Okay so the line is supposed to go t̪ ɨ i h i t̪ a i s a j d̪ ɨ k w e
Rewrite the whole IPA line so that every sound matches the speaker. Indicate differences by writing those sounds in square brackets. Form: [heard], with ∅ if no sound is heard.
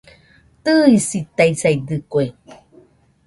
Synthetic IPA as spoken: t̪ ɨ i [s] i t̪ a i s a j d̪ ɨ k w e